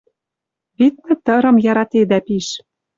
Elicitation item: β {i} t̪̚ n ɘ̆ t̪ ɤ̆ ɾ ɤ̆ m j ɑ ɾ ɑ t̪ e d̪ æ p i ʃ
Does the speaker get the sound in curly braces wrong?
no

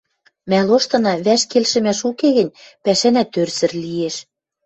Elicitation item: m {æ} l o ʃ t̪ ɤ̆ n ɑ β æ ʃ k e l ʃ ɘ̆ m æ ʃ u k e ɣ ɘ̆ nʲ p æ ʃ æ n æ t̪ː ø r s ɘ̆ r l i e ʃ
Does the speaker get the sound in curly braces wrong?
no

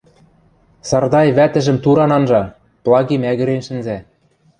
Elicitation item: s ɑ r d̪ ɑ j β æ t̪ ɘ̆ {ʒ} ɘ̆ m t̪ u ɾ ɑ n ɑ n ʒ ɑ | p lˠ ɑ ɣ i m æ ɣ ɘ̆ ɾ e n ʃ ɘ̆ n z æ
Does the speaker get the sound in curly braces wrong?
no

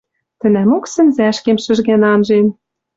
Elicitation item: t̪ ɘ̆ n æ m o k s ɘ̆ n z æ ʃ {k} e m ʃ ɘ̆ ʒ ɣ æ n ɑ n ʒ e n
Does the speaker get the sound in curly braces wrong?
no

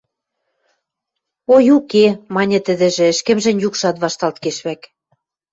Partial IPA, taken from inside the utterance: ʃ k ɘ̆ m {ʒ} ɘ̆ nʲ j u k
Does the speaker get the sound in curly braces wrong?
no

